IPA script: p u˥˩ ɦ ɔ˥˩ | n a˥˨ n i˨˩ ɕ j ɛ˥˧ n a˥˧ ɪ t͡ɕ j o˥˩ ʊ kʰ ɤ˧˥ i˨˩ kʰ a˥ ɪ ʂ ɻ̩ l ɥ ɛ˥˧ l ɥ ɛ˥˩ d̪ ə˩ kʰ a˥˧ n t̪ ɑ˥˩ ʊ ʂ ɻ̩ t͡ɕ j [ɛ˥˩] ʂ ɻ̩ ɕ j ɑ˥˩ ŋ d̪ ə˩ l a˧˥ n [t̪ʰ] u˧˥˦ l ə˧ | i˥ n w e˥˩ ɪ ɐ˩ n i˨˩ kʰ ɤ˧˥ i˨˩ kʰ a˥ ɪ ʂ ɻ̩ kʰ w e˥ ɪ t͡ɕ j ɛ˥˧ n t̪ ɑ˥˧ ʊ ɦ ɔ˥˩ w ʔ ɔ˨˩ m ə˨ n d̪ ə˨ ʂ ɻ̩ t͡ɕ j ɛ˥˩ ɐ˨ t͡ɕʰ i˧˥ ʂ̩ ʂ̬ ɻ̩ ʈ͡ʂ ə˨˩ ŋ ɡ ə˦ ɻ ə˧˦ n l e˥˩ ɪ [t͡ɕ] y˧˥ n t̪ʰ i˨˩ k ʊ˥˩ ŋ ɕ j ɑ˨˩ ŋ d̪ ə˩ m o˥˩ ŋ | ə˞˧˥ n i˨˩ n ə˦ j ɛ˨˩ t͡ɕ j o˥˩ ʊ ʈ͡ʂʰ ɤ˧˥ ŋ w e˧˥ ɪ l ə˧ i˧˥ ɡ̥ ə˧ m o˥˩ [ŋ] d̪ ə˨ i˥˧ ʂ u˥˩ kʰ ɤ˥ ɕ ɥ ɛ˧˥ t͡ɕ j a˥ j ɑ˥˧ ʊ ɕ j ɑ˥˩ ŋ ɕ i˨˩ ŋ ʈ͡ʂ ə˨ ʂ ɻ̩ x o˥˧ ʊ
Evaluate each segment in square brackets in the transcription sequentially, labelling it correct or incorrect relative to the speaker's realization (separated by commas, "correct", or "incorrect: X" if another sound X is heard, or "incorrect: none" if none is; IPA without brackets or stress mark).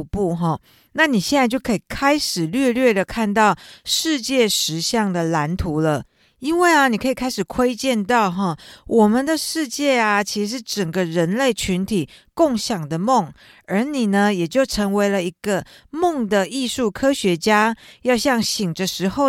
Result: correct, correct, incorrect: t͡ɕʰ, correct